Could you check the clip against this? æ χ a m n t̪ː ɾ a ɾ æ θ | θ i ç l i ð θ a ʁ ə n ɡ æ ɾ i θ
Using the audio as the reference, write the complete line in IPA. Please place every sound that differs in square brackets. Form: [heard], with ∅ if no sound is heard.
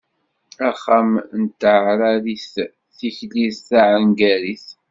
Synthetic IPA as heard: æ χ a m n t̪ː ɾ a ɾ [i] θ | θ i ç l i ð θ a [ʕ] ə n ɡ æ ɾ i θ